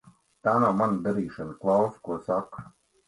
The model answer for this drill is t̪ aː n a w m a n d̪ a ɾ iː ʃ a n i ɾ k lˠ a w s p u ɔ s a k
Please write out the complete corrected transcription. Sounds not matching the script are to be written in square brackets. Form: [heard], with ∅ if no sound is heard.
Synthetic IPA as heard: t̪ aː n a w m a n d̪ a ɾ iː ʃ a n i [∅] k lˠ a w s [k] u ɔ s a k